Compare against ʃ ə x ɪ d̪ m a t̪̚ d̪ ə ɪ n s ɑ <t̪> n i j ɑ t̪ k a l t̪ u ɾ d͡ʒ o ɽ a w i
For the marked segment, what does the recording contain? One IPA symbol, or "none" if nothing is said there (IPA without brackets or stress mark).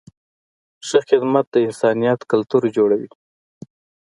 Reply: none